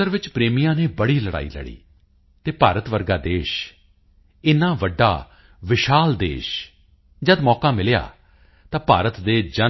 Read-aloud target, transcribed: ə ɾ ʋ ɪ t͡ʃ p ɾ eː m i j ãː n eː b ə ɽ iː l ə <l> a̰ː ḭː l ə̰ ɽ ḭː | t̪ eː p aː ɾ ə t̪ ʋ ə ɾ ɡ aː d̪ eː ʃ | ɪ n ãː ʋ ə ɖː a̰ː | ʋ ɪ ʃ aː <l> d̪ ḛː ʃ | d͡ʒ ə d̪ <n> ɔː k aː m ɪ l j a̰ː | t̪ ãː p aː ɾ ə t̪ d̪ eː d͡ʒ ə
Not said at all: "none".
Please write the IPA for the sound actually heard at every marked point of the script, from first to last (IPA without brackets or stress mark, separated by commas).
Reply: ɽ, l, m